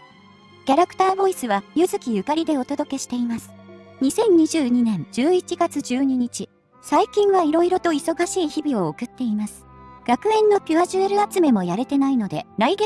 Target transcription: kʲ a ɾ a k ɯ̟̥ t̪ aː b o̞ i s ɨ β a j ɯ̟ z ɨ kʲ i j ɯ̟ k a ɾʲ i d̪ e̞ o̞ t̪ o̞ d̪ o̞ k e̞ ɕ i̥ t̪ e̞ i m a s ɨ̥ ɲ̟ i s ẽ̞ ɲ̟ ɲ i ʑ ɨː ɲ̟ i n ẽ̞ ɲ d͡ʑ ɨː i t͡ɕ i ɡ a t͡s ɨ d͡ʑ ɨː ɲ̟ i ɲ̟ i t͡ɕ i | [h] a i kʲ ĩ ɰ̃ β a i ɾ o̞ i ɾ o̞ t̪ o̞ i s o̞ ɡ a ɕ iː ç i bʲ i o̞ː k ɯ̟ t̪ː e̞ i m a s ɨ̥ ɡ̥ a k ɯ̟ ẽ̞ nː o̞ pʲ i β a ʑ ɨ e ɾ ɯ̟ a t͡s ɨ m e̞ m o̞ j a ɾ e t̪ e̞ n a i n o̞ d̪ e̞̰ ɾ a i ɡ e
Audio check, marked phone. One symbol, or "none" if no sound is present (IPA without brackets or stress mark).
s